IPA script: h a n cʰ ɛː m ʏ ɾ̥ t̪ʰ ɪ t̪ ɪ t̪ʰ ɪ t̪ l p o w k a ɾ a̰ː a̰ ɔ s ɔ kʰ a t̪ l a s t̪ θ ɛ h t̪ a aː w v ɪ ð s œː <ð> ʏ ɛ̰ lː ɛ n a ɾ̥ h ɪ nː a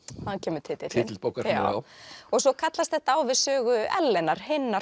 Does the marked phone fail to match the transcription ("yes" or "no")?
yes